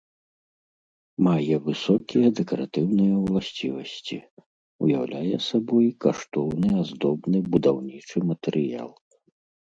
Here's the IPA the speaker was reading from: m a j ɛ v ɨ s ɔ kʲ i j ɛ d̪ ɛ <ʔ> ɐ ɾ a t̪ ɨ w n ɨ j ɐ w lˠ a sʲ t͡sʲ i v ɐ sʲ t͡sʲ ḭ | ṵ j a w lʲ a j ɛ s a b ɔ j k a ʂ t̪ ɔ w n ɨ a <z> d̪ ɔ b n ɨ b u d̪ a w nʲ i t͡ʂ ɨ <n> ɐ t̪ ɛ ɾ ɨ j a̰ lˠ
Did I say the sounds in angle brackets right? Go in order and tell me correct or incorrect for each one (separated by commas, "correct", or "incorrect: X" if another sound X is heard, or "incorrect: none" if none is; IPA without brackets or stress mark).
incorrect: k, correct, incorrect: m